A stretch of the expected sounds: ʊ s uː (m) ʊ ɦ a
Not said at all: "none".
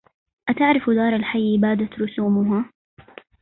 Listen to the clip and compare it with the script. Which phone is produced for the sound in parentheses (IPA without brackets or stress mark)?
m